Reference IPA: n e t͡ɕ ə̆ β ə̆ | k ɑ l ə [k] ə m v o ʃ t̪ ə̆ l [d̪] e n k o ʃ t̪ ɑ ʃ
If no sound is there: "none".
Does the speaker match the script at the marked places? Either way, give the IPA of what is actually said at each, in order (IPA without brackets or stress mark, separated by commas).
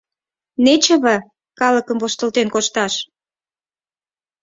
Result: k, t̪